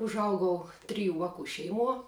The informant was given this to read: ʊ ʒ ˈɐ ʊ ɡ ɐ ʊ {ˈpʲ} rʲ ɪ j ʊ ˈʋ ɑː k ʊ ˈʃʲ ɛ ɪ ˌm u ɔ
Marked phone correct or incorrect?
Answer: incorrect